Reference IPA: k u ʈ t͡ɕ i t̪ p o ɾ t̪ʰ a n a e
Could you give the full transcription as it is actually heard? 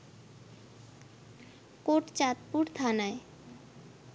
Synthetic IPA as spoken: k o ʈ t͡ɕ a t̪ p u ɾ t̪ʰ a n a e